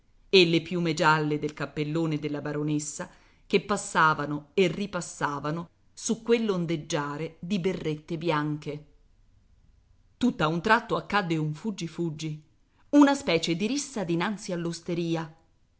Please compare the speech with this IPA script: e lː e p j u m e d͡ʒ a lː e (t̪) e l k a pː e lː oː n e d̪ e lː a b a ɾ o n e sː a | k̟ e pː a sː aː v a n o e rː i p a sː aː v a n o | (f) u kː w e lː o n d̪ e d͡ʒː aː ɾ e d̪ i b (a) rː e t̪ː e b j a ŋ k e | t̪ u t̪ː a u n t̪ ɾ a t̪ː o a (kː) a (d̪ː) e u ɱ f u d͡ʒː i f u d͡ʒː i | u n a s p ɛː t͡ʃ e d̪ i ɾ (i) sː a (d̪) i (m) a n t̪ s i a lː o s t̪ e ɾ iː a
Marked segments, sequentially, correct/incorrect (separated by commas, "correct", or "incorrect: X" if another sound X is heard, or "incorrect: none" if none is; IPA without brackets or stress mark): incorrect: d̪, incorrect: s, incorrect: e, correct, correct, correct, correct, incorrect: n